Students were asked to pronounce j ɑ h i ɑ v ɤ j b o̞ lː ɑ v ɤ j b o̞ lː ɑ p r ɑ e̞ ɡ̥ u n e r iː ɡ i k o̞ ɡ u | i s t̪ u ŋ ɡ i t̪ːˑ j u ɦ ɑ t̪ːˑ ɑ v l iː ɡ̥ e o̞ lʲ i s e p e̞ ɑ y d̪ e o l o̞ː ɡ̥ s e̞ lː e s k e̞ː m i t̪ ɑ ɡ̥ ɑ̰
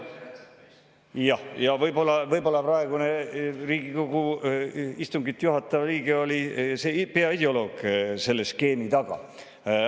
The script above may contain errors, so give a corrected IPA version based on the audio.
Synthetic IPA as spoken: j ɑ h j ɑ v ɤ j b o̞ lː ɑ v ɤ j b o̞ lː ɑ p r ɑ e̞ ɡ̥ u n e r iː ɡ i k o̞ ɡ u | i s t̪ u ŋ ɡ i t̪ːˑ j u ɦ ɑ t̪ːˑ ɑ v l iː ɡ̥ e o̞ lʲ i s e p e̞ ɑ i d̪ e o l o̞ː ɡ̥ s e̞ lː e s k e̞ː m i t̪ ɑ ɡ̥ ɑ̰